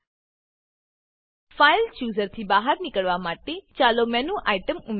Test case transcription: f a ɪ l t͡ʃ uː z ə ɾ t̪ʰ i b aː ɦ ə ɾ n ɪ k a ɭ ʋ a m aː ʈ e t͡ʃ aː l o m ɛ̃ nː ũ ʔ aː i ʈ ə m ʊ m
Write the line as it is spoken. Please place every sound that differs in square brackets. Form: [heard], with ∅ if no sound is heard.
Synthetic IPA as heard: f a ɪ l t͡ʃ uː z ə ɾ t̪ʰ i b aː ɦ ə ɾ n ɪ k [ə] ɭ ʋ a m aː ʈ e t͡ʃ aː l o m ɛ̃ [n] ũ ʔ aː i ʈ ə m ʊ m